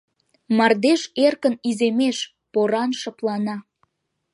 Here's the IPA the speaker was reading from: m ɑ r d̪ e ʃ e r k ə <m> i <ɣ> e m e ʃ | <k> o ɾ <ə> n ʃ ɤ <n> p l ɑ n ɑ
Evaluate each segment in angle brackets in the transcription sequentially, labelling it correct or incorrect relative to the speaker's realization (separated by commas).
incorrect, incorrect, incorrect, incorrect, incorrect